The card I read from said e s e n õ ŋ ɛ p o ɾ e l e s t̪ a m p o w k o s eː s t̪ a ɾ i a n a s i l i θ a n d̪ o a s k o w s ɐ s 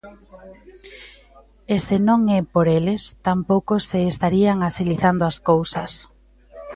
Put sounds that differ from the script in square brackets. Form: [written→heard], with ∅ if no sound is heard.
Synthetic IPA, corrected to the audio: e s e n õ ŋ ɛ p o ɾ e l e s t̪ a m p o w k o s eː s t̪ a ɾ i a [n→ŋ] a s i l i θ a n d̪ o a s k o w s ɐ s

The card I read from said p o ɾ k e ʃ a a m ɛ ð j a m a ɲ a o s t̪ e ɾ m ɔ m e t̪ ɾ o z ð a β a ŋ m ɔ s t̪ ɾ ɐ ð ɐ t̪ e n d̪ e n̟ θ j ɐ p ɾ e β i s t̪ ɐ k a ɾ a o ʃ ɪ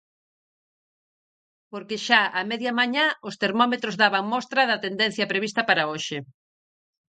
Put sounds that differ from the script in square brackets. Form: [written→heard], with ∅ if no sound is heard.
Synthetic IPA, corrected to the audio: p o ɾ k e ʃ a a m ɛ ð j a m a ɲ a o s t̪ e ɾ m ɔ m e t̪ ɾ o z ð a β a ŋ m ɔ s t̪ ɾ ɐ ð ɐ t̪ e n d̪ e n̟ θ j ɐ p ɾ e β i s t̪ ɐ [k→p] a ɾ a o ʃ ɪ

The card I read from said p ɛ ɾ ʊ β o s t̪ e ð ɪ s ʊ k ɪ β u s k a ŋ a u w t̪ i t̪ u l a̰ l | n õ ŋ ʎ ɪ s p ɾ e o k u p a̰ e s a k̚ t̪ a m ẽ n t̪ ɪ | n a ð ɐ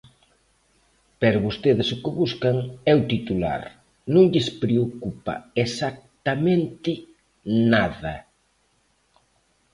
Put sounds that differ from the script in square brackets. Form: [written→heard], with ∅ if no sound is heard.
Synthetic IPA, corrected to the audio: p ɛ ɾ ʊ β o s t̪ e ð ɪ s ʊ k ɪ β u s k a ŋ [a→ɛ] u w t̪ i t̪ u l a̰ [l→ɾ] | n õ ŋ ʎ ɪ s p ɾ e o k u p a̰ e s a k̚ t̪ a m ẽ n t̪ ɪ | n a ð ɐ

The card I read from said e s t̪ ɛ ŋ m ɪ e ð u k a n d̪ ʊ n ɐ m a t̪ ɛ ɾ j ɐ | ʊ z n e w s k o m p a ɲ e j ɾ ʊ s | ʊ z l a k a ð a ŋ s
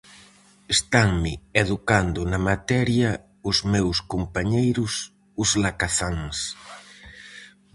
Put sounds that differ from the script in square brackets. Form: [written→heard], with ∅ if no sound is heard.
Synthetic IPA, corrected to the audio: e s t̪ [ɛ→a] ŋ m ɪ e ð u k a n d̪ ʊ n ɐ m a t̪ ɛ ɾ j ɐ | ʊ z [n→m] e w s k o m p a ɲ e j ɾ ʊ s | ʊ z l a k a [ð→θ] a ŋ s

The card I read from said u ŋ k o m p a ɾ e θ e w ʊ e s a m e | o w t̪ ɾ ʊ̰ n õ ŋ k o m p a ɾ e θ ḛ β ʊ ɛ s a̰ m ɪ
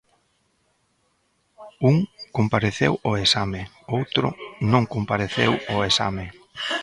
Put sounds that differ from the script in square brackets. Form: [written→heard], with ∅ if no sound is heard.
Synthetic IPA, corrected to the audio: u ŋ k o m p a ɾ e θ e w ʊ e s a m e | o w t̪ ɾ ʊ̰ n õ ŋ k o m p a ɾ e θ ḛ [β→w] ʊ [ɛ→e] s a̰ m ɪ

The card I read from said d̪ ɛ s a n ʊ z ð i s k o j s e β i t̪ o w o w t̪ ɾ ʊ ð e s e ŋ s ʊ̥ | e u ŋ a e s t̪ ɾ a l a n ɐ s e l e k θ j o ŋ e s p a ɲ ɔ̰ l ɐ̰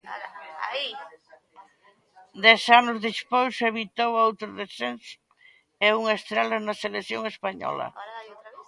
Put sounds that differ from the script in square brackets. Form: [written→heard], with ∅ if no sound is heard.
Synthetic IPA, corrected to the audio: d̪ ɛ s a n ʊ z ð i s [k→p] o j s e β i t̪ o w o w t̪ ɾ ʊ ð e s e [ŋ→n] s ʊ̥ | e u ŋ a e s t̪ ɾ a l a n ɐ s e l e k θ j o ŋ e s p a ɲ ɔ̰ l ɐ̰

